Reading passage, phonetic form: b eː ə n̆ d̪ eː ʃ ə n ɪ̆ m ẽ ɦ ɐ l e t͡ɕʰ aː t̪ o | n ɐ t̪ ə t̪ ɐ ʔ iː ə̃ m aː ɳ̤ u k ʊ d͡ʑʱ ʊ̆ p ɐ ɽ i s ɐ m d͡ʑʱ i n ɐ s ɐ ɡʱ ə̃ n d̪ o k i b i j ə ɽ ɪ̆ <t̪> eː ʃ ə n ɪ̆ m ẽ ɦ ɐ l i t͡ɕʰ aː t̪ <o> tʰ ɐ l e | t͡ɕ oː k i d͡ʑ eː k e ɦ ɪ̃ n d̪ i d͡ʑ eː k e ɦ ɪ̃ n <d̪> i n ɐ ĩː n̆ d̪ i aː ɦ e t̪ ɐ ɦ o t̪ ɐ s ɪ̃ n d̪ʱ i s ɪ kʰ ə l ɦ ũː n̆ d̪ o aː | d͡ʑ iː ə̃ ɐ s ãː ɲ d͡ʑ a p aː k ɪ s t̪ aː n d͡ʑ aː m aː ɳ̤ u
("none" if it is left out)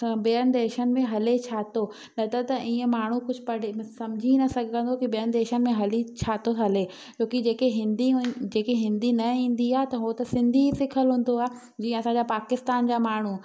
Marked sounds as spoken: d̪, o, d̪

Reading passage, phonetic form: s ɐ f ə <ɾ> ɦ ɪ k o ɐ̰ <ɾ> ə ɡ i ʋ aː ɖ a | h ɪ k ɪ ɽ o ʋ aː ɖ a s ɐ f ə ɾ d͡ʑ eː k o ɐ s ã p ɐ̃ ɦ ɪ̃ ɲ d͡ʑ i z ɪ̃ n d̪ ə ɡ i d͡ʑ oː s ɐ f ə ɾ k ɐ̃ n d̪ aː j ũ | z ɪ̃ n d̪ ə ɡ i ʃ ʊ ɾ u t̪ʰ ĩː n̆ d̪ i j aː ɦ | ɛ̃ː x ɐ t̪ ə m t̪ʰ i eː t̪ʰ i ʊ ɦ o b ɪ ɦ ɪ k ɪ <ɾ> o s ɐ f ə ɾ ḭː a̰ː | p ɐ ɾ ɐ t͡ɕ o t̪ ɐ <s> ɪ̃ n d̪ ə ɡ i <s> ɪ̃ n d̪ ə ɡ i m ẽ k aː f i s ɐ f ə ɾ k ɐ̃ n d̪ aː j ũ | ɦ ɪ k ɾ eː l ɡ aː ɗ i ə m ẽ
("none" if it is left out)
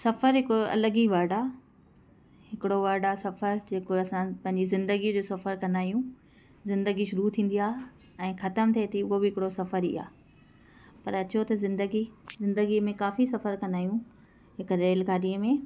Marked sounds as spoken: ɾ, l, ɽ, z, z

